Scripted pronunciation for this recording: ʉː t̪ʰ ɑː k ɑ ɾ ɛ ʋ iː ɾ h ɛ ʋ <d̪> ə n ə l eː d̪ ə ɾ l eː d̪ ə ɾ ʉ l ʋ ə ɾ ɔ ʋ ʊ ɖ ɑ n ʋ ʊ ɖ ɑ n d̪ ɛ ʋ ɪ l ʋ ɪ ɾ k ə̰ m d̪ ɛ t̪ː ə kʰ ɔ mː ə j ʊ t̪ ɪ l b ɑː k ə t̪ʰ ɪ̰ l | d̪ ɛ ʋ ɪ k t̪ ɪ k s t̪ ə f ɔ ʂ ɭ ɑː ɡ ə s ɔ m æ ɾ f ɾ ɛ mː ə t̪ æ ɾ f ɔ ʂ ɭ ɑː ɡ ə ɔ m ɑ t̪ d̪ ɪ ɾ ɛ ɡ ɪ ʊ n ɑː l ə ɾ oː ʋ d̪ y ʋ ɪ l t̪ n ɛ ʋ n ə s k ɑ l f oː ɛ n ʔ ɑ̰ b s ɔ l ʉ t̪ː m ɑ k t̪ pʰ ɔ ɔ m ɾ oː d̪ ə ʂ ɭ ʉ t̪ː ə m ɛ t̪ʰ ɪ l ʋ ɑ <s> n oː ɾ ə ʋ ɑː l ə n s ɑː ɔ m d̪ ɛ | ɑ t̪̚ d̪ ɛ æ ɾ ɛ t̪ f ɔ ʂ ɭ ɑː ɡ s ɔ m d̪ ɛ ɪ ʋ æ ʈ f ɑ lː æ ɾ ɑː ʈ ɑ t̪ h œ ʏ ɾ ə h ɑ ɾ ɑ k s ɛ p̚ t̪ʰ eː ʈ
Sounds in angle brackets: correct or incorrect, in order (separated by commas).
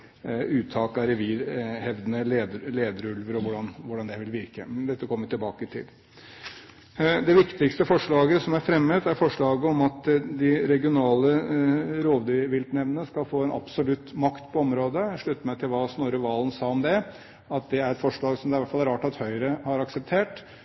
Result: correct, correct